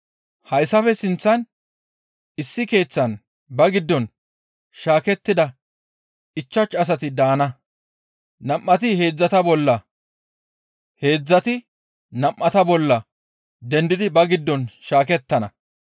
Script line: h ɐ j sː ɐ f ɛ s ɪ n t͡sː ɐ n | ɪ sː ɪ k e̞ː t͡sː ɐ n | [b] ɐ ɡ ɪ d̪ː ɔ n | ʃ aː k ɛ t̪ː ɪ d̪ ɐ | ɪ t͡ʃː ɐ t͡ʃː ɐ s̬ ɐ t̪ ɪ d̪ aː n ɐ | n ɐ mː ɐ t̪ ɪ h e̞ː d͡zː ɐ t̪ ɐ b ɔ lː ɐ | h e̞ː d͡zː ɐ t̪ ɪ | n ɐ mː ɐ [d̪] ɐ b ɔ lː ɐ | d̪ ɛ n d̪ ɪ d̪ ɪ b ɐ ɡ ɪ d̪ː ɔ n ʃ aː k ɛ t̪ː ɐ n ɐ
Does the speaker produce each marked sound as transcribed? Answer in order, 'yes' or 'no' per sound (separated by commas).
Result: yes, no